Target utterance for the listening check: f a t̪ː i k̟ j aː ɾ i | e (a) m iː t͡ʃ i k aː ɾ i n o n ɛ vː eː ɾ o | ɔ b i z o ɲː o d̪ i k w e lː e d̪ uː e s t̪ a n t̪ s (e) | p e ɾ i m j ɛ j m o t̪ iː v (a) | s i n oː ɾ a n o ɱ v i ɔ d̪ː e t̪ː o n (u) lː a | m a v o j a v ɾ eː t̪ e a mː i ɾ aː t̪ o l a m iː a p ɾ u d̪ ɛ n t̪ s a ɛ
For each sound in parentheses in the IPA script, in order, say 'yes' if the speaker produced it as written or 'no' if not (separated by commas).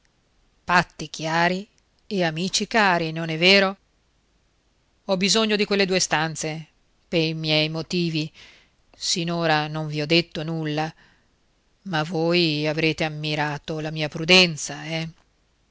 yes, yes, no, yes